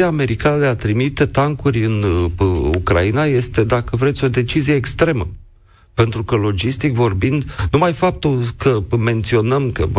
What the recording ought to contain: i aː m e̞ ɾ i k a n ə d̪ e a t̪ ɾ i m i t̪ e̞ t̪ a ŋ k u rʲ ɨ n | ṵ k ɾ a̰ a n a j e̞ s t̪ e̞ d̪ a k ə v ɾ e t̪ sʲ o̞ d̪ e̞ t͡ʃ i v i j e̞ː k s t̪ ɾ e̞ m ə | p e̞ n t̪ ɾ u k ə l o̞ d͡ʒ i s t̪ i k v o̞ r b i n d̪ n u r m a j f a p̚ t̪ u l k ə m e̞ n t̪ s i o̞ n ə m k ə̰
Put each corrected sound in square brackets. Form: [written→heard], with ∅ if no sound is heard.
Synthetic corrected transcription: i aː m e̞ ɾ i k a n ə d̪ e a t̪ ɾ i m i t̪ e̞ t̪ a ŋ k u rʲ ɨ n | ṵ k ɾ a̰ [a→i] n a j e̞ s t̪ e̞ d̪ a k ə v ɾ e t̪ sʲ o̞ d̪ e̞ t͡ʃ i [v→z] i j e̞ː k s t̪ ɾ e̞ m ə | p e̞ n t̪ ɾ u k ə l o̞ d͡ʒ i s t̪ i k v o̞ r b i n d̪ n u [r→∅] m a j f a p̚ t̪ u l k ə m e̞ n t̪ s i o̞ n ə m k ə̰